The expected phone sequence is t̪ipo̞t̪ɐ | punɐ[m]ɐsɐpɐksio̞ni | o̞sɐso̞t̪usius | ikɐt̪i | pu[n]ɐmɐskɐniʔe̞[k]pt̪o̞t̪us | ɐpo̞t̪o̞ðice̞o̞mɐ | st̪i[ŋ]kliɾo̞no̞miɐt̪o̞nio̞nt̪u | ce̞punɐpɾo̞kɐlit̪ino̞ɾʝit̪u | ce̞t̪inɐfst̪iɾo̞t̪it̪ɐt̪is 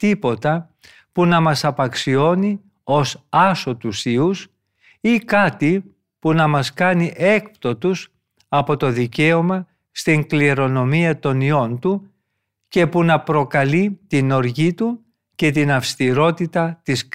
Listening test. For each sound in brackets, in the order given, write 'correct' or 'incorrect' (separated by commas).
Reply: correct, correct, correct, correct